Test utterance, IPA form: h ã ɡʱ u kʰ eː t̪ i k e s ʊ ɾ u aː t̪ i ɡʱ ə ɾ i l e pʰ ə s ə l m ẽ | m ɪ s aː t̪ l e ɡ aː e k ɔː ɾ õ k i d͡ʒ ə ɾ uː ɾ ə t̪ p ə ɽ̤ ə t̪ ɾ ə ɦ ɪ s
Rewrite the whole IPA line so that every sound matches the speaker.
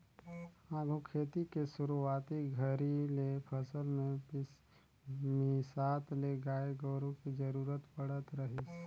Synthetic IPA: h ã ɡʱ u kʰ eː t̪ i k e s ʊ ɾ u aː t̪ i ɡʱ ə ɾ i l e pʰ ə s ə l m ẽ | m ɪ s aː t̪ l e ɡ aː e ɡ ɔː ɾ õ k i d͡ʒ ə ɾ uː ɾ ə t̪ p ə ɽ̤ ə t̪ ɾ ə ɦ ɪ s